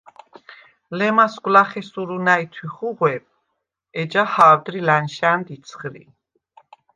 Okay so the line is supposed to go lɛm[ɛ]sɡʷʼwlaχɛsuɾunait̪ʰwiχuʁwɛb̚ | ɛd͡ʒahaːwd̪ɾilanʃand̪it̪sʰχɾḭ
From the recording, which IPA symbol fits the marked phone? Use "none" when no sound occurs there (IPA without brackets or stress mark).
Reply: a